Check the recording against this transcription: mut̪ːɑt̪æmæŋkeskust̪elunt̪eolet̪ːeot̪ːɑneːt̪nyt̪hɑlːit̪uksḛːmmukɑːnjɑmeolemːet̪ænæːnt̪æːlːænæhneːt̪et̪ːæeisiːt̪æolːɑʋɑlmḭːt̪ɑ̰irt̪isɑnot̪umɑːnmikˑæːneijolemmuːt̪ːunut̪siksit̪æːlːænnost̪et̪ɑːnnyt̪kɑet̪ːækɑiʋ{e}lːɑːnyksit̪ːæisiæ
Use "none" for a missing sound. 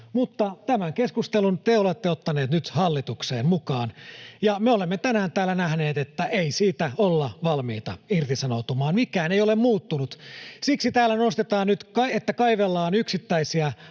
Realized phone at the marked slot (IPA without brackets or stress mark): e